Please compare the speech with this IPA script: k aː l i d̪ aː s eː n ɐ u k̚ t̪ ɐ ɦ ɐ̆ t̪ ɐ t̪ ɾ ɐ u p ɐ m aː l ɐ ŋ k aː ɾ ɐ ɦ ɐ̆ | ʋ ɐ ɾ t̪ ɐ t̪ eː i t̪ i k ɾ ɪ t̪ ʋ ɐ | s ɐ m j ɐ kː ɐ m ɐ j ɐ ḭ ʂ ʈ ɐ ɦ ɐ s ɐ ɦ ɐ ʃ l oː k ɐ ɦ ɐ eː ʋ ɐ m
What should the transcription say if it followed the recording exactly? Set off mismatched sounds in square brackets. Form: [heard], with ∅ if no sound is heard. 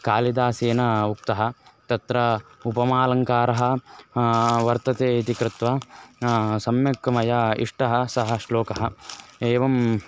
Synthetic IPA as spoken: k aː l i d̪ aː s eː n ɐ u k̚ t̪ ɐ ɦ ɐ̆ t̪ ɐ t̪ ɾ ɐ u p ɐ m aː l ɐ ŋ k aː ɾ ɐ ɦ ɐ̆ | ʋ ɐ ɾ t̪ ɐ t̪ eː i t̪ i k ɾ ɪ t̪ ʋ ɐ | s ɐ m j ɐ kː ɐ m ɐ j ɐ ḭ ʂ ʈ ɐ ɦ ɐ s ɐ ɦ ɐ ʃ l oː k ɐ ɦ ɐ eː ʋ ɐ m